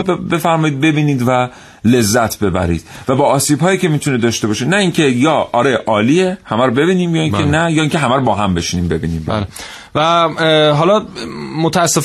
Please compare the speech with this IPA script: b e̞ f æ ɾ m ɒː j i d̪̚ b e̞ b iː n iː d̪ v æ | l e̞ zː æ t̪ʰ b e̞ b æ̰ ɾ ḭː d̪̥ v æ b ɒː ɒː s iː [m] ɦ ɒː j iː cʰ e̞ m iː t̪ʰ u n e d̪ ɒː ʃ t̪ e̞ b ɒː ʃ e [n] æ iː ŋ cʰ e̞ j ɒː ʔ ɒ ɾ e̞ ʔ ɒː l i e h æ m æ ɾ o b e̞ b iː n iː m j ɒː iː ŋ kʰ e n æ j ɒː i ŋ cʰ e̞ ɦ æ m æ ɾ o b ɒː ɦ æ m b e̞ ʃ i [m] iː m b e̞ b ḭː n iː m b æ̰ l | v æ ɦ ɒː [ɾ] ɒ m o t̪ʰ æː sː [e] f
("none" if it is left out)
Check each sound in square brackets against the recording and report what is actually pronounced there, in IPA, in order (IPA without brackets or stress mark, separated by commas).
b, n, n, l, e